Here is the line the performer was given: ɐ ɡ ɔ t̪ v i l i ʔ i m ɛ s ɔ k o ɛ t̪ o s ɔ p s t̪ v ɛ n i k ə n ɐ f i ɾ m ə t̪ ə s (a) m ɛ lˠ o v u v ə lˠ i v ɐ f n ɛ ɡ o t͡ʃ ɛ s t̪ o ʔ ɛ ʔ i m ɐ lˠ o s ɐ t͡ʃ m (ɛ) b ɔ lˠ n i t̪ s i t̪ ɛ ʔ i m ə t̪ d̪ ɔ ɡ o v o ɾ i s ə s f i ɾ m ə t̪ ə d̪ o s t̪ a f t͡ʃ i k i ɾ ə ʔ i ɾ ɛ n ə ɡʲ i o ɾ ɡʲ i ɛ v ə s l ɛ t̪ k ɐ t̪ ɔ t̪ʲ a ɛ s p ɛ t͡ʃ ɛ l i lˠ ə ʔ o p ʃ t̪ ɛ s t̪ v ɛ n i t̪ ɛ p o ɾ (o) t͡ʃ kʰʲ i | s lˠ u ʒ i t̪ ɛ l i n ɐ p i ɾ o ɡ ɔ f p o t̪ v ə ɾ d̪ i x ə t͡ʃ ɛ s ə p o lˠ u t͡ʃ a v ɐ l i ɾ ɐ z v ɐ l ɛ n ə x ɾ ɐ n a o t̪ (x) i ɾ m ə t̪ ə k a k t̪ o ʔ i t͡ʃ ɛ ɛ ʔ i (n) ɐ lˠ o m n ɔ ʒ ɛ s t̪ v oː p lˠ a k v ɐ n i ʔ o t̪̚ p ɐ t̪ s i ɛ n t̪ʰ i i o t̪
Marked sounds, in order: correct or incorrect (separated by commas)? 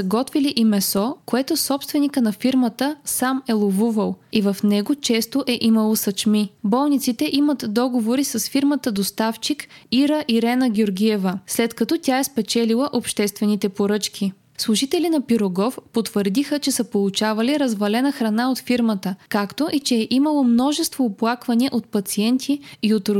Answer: correct, incorrect, incorrect, incorrect, incorrect